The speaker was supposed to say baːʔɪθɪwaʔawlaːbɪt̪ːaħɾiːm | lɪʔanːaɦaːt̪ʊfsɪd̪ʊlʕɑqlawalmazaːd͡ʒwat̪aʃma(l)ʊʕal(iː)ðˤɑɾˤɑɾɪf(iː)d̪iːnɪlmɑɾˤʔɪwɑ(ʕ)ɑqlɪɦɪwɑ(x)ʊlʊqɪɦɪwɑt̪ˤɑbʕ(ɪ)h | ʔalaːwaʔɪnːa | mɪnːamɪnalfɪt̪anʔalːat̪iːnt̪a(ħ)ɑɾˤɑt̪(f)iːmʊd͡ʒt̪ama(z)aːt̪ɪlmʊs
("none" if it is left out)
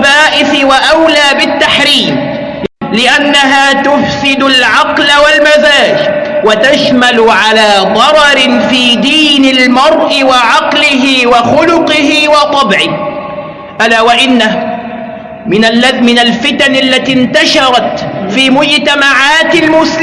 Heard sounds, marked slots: l, aː, iː, ʕ, x, ɪ, ʃ, f, ʕ

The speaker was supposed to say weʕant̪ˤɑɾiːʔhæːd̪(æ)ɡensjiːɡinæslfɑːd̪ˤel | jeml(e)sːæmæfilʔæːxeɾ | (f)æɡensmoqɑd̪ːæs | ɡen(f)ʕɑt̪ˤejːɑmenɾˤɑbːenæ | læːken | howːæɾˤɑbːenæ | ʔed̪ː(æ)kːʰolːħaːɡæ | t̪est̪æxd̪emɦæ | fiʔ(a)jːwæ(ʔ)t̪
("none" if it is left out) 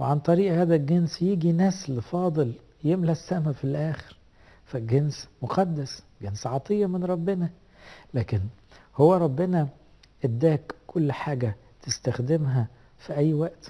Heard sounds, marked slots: æ, æ, f, s, æː, æ, ʔ

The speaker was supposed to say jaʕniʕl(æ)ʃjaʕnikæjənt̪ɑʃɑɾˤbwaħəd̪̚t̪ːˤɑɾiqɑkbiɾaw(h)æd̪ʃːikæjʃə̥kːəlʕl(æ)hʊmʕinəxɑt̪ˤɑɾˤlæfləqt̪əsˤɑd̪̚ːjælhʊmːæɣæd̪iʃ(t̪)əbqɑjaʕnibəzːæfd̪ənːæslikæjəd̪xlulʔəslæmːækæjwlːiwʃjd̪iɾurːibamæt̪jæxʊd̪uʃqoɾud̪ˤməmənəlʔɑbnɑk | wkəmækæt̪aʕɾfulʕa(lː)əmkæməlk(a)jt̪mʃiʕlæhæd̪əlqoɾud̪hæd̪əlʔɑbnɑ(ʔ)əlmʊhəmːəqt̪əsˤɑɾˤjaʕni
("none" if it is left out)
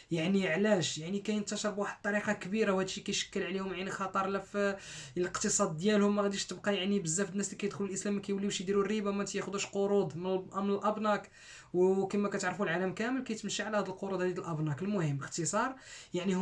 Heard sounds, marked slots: æ, h, i, t̪, l, æ, k

